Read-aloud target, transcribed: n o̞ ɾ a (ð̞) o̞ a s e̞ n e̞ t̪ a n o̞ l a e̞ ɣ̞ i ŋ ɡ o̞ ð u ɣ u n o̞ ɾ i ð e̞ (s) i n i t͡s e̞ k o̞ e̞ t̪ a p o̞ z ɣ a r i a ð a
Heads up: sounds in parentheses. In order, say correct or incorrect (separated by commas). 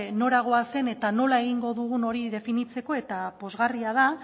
incorrect, incorrect